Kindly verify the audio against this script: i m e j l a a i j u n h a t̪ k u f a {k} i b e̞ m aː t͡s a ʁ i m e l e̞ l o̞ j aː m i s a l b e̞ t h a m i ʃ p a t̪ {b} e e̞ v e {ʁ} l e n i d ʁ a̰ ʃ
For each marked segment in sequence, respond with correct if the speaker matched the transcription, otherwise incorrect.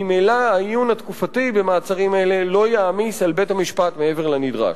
incorrect: t, incorrect: m, correct

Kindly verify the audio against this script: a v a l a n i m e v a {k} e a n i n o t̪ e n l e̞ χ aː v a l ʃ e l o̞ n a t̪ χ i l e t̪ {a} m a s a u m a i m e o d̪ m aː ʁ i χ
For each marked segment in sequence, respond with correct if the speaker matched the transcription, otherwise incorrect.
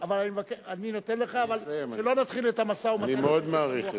correct, correct

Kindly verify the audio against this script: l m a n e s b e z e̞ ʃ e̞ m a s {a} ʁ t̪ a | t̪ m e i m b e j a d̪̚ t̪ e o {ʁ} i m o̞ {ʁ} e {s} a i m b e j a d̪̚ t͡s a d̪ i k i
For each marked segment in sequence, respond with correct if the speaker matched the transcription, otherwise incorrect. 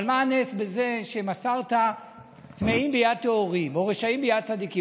correct, correct, correct, incorrect: ʃ

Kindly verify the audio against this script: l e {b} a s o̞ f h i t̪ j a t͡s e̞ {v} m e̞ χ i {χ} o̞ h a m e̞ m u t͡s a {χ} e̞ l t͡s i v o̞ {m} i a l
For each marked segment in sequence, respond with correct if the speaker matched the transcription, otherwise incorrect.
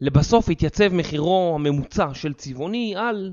correct, correct, incorrect: ʁ, incorrect: ʃ, incorrect: n

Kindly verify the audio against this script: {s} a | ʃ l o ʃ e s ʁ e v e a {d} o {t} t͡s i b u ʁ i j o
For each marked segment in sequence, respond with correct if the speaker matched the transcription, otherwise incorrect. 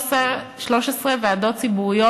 correct, correct, correct

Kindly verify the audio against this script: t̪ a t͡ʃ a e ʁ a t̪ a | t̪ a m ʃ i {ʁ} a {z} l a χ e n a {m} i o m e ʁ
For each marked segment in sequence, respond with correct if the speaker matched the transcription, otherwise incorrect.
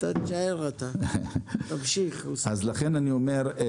incorrect: χ, correct, incorrect: n

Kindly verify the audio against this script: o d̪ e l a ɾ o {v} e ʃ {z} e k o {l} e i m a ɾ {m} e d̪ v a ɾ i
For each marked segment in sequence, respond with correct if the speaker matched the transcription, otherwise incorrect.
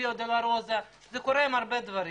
incorrect: z, correct, incorrect: ɾ, incorrect: b

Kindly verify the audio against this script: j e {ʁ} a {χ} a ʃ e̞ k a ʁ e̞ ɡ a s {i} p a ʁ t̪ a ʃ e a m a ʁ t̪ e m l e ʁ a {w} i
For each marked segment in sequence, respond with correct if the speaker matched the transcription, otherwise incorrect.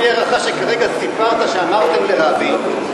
correct, correct, correct, incorrect: b

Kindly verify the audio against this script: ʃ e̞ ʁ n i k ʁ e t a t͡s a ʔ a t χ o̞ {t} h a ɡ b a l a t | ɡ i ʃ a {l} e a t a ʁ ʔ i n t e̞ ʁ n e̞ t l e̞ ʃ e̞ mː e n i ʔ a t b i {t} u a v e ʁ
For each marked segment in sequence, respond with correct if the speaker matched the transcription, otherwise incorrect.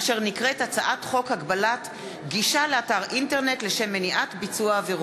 incorrect: k, correct, incorrect: t͡s

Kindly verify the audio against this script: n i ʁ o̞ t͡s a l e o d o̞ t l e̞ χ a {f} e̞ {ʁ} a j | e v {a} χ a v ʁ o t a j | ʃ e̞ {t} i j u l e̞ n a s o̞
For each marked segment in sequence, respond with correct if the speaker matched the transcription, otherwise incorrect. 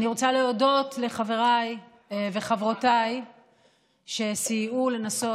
incorrect: v, correct, incorrect: e, incorrect: s

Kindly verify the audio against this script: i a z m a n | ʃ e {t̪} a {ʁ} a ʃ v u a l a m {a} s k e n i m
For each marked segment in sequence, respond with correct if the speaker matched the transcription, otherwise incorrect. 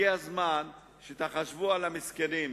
correct, incorrect: χ, incorrect: i

